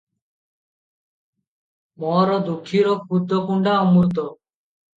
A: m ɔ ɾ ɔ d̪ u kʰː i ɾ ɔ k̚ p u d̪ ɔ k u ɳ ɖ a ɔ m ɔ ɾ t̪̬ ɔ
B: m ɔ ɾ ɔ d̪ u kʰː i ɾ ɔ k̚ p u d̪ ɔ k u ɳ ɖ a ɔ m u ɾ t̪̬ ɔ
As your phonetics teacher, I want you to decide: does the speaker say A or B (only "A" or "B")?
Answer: B